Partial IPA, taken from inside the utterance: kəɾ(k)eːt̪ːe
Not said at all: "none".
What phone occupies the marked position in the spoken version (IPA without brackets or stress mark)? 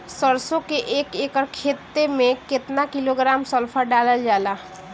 kʰ